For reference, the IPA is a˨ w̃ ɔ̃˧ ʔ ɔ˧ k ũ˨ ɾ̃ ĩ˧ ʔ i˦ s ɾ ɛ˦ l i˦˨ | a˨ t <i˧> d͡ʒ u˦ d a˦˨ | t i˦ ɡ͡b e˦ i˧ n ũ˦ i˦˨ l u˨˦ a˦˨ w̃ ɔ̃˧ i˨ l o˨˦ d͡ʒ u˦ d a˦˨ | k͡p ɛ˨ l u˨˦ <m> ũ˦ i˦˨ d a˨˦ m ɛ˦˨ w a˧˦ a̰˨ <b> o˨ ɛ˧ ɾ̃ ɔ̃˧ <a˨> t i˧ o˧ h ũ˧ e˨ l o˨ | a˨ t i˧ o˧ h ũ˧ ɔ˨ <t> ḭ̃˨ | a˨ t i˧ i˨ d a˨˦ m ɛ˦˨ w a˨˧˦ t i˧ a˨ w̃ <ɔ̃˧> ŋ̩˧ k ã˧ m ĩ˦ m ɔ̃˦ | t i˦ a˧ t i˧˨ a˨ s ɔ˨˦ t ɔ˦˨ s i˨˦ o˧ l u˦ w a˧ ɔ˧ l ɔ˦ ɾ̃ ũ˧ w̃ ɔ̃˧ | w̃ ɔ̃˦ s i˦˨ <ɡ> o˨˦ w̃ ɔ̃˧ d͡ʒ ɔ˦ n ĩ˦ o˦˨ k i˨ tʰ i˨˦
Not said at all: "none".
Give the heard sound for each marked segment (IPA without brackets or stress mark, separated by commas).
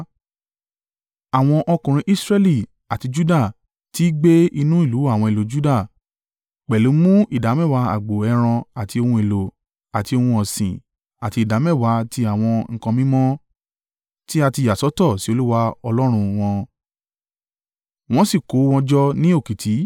i˧, m, ɡ͡b, a˨, s, ɔ̃˧, k